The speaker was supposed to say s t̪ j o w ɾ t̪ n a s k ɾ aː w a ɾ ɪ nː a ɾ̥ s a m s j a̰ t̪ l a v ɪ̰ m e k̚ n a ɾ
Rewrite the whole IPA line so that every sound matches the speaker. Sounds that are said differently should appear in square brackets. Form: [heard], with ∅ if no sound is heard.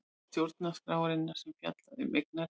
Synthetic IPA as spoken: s t̪ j o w ɾ t̪ n a s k ɾ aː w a ɾ ɪ nː a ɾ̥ s [ɛ] m [f] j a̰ t̪ l a [ð] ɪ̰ m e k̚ n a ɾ